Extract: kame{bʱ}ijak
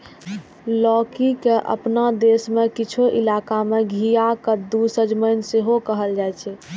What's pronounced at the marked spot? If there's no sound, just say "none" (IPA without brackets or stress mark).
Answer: ɡʱ